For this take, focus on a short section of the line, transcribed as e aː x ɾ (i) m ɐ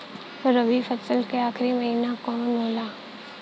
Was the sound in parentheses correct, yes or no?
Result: yes